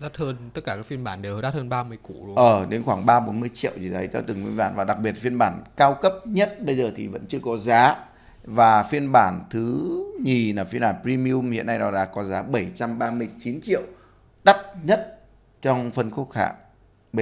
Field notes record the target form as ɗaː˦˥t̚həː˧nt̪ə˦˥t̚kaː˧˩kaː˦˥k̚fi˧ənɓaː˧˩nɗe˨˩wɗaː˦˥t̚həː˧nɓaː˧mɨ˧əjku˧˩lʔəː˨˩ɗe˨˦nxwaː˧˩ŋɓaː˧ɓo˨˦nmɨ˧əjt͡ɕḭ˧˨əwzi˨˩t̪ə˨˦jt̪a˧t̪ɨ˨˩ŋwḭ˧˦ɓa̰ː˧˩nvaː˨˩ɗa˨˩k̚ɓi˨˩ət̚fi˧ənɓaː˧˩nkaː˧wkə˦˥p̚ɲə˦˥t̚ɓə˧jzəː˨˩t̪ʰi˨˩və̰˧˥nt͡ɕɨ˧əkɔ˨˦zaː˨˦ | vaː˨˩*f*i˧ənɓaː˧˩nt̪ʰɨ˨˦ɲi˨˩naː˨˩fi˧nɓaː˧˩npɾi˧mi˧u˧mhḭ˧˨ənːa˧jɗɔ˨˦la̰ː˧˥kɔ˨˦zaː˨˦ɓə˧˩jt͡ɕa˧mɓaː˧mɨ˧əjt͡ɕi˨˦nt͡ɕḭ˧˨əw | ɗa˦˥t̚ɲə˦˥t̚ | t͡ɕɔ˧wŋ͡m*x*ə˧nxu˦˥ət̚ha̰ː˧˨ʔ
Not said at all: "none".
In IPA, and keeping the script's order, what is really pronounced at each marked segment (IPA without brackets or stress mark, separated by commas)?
f, f